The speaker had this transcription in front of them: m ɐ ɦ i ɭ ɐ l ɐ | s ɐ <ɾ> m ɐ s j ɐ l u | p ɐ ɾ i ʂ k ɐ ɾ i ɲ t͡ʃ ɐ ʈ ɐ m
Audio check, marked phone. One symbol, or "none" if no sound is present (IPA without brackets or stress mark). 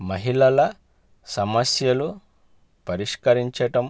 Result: none